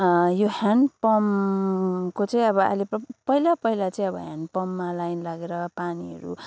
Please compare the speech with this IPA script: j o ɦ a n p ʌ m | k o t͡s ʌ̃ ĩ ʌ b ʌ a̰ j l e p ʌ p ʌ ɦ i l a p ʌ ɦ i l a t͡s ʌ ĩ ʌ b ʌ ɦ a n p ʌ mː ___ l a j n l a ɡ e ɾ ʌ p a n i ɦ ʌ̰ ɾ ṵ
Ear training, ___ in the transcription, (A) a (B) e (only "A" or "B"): A